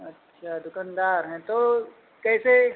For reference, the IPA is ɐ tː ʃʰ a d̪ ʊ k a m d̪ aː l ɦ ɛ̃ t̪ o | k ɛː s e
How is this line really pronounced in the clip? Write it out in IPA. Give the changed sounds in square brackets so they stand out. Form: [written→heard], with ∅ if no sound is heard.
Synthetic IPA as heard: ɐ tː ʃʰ a d̪ ʊ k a [m→n] d̪ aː [l→ɾ] ɦ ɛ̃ t̪ o | k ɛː s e